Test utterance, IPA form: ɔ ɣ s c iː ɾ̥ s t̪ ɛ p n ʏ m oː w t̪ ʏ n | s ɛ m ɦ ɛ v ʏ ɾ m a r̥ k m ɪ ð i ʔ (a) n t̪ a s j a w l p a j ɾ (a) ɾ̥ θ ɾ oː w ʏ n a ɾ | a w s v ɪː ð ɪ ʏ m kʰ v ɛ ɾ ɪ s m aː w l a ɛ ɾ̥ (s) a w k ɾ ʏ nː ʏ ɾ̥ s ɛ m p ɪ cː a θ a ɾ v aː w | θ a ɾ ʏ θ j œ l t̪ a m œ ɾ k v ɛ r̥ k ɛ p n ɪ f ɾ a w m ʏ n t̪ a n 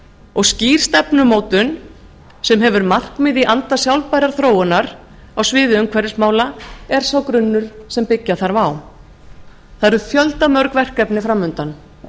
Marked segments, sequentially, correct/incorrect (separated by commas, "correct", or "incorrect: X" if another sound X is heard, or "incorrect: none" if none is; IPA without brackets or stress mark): correct, correct, correct